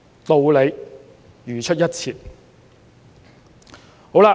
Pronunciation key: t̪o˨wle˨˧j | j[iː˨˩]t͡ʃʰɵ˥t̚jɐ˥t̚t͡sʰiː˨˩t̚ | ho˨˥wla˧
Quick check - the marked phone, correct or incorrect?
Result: incorrect